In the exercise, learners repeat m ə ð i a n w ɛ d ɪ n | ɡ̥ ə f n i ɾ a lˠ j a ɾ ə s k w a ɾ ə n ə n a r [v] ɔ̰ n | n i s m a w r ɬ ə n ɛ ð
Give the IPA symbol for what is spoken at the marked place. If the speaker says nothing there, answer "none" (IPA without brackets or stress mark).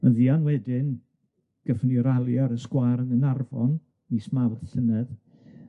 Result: v